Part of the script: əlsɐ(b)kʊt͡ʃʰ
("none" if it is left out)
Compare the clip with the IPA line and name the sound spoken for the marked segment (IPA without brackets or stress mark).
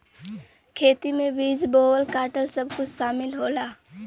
b